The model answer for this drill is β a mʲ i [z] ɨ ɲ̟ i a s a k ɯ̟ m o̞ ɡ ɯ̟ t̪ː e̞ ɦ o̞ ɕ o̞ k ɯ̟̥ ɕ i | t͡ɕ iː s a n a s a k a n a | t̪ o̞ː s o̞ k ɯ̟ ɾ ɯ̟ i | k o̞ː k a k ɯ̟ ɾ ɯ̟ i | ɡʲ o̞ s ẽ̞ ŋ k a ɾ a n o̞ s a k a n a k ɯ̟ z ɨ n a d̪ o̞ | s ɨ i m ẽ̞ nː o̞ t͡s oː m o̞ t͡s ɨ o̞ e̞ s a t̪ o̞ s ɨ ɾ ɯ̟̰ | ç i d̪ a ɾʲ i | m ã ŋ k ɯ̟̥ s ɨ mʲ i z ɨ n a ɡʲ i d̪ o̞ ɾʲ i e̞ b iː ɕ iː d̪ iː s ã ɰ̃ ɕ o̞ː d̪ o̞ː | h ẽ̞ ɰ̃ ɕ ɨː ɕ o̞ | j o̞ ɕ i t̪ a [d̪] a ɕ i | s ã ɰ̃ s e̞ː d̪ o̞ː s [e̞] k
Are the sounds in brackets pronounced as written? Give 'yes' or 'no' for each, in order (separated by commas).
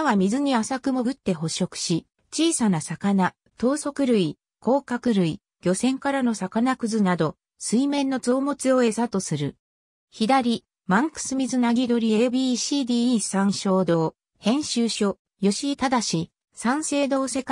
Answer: yes, yes, yes